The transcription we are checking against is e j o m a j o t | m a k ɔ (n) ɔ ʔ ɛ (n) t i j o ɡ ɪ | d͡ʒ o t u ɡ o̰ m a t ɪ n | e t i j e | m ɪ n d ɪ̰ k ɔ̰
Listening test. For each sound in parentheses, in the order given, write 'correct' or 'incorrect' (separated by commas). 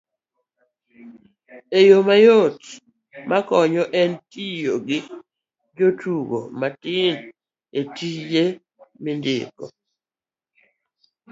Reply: incorrect, correct